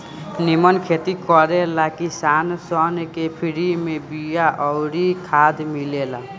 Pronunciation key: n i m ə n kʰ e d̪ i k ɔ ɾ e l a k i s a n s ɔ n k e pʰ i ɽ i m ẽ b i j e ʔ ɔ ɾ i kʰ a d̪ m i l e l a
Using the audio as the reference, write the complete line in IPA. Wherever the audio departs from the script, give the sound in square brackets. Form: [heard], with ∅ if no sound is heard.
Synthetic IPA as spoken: n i m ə n kʰ e [t̪] i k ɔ ɾ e l a k i s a n s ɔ n k e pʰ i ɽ i m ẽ b i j [a] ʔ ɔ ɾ i kʰ a d̪ m i l e l a